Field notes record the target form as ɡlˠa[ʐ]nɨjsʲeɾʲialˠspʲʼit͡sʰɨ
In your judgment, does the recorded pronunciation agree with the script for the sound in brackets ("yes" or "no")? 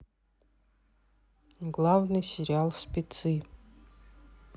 no